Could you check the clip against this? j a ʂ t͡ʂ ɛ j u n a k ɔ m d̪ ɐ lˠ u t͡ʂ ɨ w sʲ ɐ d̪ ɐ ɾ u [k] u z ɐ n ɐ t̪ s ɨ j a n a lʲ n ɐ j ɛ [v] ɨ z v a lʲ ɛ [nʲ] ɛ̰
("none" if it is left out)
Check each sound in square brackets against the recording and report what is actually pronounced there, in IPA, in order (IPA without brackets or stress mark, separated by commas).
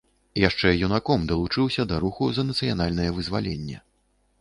x, v, nʲː